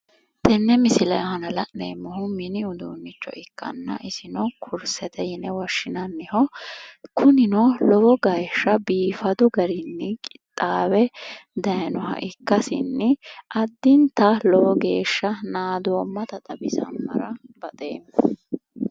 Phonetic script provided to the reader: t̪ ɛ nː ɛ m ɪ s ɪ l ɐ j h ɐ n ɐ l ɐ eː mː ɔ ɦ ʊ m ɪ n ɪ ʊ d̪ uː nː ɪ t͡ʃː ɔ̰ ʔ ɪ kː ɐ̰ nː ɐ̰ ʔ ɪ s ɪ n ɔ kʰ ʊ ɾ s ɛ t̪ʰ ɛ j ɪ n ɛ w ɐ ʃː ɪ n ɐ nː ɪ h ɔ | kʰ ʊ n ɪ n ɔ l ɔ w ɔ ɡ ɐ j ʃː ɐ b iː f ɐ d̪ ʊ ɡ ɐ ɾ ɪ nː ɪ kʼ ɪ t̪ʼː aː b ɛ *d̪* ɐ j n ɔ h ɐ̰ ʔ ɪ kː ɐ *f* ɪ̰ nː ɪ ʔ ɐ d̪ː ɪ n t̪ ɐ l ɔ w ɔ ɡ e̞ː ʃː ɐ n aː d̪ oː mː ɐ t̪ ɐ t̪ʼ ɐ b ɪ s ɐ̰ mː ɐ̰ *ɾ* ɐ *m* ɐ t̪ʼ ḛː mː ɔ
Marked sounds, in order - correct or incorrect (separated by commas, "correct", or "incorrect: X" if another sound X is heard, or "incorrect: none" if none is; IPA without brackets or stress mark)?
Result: correct, incorrect: s, correct, incorrect: b